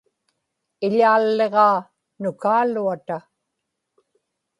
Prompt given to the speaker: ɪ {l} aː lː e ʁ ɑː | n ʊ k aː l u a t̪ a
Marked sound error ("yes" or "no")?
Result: yes